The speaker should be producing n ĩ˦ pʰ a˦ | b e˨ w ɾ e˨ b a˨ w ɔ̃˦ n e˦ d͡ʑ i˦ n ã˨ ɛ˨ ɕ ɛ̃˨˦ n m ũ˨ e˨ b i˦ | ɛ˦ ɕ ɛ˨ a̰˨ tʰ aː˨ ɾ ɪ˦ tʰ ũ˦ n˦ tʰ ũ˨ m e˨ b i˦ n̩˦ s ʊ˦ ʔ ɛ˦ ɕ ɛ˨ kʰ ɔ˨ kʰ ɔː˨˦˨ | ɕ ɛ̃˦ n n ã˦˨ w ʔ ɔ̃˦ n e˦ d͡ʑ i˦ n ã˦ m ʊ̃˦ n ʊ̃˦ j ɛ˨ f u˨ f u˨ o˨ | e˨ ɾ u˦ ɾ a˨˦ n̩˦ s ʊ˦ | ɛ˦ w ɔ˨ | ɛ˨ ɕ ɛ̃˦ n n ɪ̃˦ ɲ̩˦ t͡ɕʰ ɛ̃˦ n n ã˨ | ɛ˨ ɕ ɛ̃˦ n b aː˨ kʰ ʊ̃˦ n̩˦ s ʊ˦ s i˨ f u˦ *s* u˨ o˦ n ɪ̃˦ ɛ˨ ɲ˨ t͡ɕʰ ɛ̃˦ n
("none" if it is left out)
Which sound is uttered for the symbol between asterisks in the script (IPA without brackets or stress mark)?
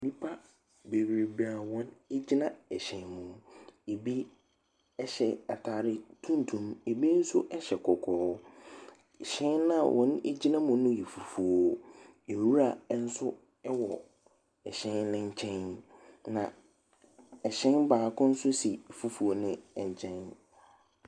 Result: f